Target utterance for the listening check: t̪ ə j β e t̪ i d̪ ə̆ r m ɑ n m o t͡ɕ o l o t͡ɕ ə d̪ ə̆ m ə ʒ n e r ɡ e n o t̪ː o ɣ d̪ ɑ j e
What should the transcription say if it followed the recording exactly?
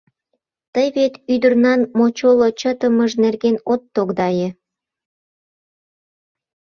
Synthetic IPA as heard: t̪ ə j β e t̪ y d̪ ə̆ r n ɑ n m o t͡ɕ o l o t͡ɕ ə t̪ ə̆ m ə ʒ n e r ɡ e n o t̪ː o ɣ d̪ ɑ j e